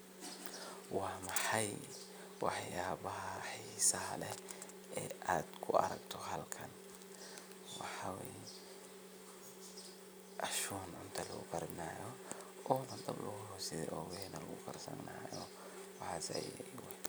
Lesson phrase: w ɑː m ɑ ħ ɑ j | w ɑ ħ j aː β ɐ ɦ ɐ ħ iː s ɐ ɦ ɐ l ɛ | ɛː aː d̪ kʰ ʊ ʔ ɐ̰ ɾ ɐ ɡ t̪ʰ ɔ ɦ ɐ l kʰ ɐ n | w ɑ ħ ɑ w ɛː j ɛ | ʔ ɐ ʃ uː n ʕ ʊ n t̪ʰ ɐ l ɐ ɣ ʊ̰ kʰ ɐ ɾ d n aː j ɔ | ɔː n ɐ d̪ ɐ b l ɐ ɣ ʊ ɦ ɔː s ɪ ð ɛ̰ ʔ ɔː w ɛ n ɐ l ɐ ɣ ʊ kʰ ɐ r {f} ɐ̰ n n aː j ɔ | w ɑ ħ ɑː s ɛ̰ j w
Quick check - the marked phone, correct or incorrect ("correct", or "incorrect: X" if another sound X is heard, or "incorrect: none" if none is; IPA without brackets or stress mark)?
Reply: incorrect: s